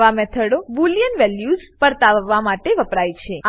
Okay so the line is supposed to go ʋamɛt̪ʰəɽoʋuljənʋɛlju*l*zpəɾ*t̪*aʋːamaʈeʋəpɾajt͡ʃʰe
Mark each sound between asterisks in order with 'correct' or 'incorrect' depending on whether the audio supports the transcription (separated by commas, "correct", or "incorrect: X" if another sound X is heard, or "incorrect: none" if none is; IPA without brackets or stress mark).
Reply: incorrect: none, correct